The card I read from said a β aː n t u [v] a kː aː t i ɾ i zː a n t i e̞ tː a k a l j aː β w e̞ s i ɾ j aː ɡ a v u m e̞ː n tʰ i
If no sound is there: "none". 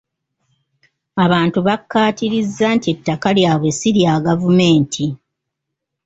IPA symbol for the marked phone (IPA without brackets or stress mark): β